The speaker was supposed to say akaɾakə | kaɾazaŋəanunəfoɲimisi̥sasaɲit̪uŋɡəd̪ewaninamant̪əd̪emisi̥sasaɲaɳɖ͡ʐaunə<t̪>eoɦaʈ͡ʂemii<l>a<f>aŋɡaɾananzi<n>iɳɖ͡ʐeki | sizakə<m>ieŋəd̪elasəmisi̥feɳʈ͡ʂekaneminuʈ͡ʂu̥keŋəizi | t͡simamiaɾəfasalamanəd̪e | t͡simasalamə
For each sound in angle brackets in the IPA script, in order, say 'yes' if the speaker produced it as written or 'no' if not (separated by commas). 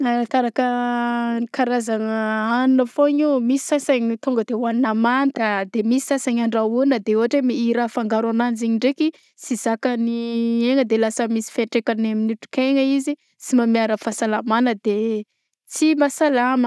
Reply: no, no, yes, no, no